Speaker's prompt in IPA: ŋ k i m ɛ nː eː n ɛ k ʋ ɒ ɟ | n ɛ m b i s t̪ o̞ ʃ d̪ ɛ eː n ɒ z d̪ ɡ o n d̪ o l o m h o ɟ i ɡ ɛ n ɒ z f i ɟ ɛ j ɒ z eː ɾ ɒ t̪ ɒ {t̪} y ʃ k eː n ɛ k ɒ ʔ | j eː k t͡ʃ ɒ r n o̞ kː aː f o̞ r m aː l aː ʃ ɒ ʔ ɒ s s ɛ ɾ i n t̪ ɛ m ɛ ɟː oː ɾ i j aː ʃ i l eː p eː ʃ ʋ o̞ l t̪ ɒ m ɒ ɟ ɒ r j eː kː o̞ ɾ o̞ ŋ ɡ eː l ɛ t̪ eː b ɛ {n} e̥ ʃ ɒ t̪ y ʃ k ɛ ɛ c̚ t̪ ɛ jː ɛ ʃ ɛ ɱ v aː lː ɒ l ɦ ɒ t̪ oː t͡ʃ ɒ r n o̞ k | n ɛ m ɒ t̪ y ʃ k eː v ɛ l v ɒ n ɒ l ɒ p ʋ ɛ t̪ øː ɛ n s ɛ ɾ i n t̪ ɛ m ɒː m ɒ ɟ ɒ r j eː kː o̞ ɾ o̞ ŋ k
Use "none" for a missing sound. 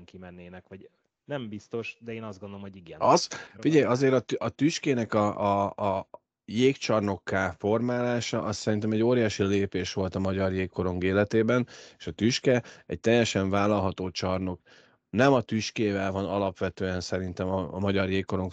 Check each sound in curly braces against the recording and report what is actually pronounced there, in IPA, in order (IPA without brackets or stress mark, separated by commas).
t̪, n